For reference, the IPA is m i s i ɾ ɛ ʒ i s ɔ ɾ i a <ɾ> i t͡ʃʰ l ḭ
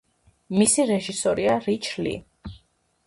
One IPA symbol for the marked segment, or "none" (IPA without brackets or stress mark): ɾ